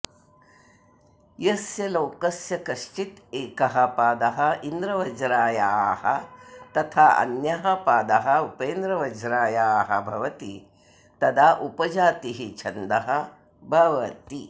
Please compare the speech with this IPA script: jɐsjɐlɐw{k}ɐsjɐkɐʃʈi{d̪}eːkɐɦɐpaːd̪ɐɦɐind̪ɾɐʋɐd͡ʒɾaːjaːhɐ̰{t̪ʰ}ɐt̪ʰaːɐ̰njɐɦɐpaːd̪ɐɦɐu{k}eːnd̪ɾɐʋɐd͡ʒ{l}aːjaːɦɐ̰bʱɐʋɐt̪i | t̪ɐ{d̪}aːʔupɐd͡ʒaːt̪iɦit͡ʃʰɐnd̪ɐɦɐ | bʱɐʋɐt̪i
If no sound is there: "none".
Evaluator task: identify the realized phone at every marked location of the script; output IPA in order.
k, t̪, t̪, p, ɾ, d̪

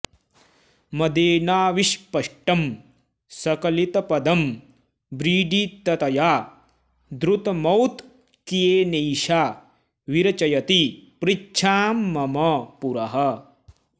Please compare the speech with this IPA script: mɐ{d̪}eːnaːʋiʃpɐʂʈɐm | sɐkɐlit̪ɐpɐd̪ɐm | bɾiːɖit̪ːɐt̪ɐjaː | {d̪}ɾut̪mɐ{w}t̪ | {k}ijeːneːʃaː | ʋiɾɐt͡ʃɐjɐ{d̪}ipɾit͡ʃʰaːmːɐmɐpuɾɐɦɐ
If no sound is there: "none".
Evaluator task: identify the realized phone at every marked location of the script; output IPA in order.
d̪, d̪, w, k, t̪

